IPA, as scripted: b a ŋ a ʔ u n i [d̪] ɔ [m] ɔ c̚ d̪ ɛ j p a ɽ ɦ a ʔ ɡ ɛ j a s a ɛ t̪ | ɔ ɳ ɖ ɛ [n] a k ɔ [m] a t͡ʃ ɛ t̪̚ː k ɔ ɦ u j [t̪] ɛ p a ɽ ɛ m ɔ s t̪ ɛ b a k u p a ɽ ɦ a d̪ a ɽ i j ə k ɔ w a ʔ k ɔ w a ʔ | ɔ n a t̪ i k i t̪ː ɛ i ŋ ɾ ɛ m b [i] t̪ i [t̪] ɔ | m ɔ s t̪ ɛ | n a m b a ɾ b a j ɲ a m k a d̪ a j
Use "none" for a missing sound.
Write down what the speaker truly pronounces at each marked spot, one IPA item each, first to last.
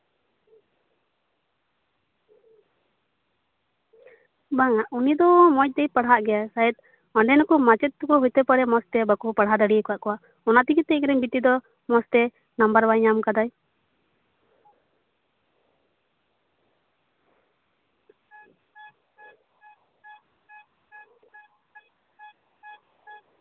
d̪, m, n, m, t̪, i, d̪

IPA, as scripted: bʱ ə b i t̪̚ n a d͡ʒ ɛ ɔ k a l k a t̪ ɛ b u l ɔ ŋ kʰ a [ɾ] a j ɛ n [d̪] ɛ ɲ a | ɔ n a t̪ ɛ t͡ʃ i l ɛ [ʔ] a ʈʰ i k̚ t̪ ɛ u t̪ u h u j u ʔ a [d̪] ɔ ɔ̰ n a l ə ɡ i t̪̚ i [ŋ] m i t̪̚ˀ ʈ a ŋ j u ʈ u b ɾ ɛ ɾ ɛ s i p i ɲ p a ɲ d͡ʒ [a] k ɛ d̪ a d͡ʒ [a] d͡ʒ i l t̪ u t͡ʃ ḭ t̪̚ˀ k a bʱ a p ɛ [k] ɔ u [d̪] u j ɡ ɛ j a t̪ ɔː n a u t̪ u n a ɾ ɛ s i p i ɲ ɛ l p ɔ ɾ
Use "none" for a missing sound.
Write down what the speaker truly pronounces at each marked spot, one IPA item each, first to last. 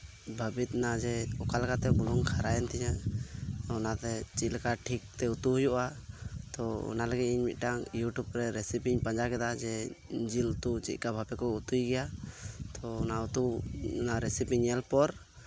ɾ, t̪, k, t̪, ɲ, a, ɛ, k, t̪

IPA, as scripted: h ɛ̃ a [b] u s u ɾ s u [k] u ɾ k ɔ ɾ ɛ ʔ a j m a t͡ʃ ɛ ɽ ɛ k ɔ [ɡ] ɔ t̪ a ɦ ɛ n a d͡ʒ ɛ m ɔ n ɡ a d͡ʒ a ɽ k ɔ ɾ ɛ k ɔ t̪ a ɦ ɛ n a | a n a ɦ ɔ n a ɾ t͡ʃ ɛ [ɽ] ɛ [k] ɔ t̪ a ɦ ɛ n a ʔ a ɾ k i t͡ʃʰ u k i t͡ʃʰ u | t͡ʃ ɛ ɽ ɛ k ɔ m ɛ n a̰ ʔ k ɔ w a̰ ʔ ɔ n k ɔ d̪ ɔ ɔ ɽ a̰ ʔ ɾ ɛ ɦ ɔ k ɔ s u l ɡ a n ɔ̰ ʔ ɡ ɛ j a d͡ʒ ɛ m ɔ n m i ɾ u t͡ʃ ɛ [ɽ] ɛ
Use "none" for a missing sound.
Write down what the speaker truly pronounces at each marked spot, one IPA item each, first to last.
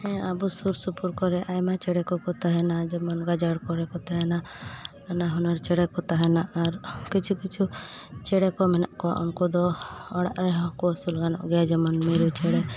b, p, k, ɽ, k, ɽ

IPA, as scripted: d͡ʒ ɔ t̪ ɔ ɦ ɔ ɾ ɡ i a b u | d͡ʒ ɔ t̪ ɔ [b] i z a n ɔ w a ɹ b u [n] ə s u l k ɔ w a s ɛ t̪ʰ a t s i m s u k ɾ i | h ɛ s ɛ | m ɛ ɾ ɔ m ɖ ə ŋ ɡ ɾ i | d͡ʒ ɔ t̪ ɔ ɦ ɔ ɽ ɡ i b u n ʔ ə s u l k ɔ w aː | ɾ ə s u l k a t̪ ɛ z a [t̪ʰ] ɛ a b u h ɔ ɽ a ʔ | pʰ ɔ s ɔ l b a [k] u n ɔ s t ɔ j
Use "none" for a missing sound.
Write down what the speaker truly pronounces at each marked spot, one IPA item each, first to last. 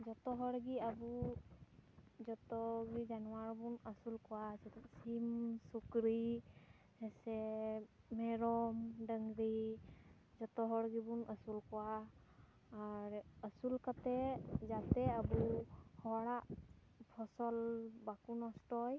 ɡ, n, t̪, k

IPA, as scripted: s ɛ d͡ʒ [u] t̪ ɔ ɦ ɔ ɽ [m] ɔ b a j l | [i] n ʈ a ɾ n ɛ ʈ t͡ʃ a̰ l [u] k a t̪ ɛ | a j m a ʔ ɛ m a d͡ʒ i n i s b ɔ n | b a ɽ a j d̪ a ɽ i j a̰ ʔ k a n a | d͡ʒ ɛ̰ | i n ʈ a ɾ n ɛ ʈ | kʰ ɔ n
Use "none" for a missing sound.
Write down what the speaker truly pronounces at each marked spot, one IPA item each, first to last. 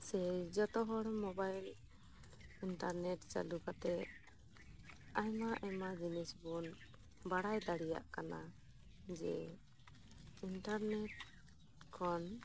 ɔ, m, i, u

